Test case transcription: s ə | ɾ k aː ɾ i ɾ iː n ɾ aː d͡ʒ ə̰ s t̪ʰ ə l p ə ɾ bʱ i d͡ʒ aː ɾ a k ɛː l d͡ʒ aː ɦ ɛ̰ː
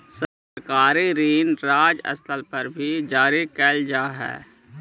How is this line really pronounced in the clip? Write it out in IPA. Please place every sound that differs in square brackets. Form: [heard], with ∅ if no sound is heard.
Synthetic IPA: s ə | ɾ k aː ɾ i ɾ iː n ɾ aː d͡ʒ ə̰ s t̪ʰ ə l p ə ɾ bʱ i d͡ʒ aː ɾ [i] k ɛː l d͡ʒ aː ɦ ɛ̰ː